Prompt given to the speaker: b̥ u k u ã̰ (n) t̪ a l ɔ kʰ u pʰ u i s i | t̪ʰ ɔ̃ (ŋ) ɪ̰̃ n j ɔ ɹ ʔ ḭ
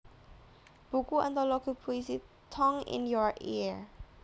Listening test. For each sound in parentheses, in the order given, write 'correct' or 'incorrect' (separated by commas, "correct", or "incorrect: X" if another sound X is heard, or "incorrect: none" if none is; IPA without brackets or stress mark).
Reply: correct, correct